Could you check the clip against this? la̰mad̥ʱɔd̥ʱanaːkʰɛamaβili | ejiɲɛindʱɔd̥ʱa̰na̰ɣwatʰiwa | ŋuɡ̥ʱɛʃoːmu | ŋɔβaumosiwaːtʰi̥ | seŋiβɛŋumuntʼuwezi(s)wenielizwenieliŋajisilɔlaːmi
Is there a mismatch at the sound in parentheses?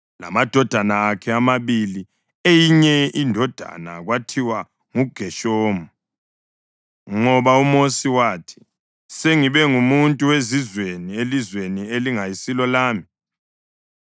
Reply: yes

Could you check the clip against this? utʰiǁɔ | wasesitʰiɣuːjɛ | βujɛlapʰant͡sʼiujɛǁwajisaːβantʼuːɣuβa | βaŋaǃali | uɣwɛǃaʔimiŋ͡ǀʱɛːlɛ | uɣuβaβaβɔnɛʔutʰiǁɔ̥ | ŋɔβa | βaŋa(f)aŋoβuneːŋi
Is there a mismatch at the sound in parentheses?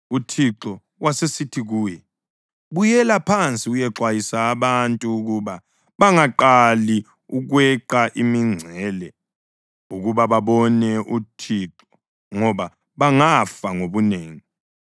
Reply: no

